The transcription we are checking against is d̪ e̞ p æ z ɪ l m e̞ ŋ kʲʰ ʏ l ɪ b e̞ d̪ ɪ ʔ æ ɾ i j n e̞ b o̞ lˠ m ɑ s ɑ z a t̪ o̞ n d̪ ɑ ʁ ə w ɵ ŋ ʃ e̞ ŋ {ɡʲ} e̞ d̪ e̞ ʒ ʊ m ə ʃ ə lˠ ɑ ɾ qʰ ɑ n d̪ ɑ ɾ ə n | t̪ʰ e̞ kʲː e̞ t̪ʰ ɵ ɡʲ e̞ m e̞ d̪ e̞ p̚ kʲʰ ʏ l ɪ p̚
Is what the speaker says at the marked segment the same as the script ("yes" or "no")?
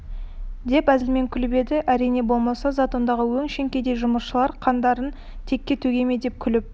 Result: no